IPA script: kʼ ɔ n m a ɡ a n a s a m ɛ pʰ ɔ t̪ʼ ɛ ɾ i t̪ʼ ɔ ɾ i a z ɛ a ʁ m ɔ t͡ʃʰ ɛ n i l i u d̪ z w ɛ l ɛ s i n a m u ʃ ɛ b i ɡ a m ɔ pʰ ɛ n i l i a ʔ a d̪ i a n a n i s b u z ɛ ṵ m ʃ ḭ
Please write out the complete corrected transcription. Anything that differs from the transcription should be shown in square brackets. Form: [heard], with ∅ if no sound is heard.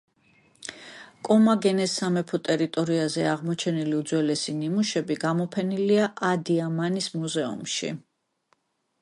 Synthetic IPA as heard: kʼ ɔ [∅] m a ɡ [ɛ] n [ɛ] s a m ɛ pʰ ɔ t̪ʼ ɛ ɾ i t̪ʼ ɔ ɾ i a z ɛ a ʁ m ɔ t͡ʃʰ ɛ n i l i u d̪ z w ɛ l ɛ s i n [i] m u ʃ ɛ b i ɡ a m ɔ pʰ ɛ n i l i a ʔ a d̪ i a [m] a n i s [m] u z ɛ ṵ m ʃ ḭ